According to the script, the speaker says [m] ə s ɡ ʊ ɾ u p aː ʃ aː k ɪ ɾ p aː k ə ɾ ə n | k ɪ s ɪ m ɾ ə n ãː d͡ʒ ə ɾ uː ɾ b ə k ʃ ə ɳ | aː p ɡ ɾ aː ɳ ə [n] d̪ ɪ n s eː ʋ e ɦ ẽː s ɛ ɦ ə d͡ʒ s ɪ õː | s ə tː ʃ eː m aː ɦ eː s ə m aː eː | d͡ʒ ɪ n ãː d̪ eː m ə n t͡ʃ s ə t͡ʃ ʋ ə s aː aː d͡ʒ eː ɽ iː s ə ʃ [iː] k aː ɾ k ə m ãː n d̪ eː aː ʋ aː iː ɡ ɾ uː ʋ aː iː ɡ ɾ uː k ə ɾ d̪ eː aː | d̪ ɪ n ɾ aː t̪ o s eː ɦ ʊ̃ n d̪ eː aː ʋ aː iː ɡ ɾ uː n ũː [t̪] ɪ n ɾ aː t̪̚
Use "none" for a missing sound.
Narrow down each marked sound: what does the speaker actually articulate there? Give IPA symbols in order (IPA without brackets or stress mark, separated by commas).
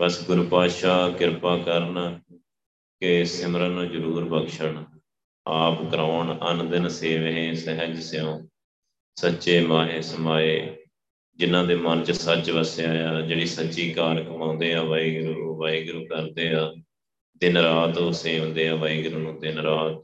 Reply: b, n, iː, d̪